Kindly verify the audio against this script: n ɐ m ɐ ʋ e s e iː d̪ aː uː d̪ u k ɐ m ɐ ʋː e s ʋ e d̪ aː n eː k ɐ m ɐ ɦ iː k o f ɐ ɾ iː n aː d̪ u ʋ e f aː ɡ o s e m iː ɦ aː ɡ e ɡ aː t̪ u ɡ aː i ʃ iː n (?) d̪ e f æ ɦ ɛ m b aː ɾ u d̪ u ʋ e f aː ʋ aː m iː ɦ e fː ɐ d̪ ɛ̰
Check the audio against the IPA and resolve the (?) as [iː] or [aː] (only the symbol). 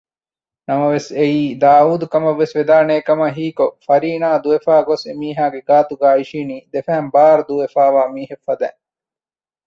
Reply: iː